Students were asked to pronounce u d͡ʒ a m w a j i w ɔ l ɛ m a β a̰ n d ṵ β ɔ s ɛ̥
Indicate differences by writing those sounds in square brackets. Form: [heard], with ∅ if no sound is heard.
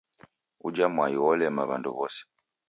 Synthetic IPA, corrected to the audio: u d͡ʒ a m w a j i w ɔ l ɛ m a β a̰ n d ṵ β ɔ s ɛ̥